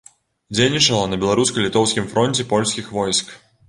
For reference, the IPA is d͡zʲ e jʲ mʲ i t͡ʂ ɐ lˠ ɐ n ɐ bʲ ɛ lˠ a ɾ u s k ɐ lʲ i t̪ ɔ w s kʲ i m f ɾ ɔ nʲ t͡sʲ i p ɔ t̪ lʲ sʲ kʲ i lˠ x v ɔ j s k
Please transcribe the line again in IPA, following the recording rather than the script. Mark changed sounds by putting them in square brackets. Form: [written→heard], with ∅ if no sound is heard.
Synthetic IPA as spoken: d͡zʲ e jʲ [mʲ→nʲ] i t͡ʂ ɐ lˠ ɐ n ɐ bʲ ɛ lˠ a ɾ u s k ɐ lʲ i t̪ ɔ w s kʲ i m f ɾ ɔ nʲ t͡sʲ [i→ɛ] p ɔ [t̪→∅] lʲ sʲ kʲ i [lˠ→∅] x v ɔ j s k